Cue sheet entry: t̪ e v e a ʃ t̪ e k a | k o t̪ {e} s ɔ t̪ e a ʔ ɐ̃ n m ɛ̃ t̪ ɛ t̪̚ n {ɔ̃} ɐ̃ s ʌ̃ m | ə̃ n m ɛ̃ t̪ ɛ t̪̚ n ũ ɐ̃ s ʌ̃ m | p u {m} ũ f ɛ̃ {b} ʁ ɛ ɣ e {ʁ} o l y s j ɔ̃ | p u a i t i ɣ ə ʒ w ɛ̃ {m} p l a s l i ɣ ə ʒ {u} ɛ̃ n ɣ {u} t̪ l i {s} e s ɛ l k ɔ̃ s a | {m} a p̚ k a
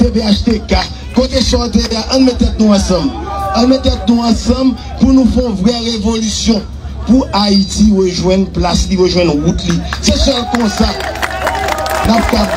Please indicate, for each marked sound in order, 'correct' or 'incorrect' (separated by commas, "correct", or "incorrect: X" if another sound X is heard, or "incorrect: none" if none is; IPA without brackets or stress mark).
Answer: correct, incorrect: ũ, incorrect: n, incorrect: v, incorrect: v, incorrect: n, incorrect: w, correct, correct, incorrect: n